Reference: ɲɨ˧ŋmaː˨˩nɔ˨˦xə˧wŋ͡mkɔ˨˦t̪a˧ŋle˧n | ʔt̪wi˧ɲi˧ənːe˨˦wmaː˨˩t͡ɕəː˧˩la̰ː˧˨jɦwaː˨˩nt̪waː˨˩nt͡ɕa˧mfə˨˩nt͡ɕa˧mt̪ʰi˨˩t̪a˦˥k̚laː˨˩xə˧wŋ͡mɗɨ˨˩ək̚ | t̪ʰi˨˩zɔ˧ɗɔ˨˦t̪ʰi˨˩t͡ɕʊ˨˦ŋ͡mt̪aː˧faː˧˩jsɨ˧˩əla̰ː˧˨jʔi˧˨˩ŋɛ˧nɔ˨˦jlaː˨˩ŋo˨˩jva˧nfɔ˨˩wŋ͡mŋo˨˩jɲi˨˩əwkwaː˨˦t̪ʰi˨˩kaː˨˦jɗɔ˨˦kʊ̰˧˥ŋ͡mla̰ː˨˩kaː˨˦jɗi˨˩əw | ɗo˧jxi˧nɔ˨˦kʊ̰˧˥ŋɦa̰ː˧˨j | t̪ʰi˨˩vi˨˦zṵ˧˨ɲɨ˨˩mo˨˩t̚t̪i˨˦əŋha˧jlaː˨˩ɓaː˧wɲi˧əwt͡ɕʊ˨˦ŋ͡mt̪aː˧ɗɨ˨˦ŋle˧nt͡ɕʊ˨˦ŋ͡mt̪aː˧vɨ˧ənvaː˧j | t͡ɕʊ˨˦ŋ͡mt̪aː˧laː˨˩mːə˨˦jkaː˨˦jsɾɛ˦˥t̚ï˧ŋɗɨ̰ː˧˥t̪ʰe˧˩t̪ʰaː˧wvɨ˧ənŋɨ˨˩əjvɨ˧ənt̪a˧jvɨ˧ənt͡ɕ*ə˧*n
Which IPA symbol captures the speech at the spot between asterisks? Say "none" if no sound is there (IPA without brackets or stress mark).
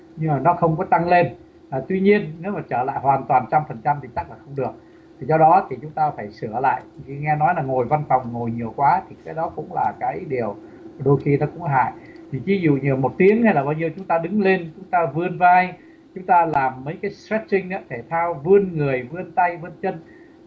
ə˧